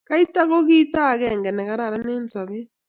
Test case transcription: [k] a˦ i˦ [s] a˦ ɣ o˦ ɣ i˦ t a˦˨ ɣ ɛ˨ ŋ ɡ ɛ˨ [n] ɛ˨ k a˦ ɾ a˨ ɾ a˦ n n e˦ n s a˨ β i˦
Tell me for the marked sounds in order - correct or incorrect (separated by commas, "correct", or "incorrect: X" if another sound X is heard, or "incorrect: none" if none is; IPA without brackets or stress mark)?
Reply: correct, incorrect: t, correct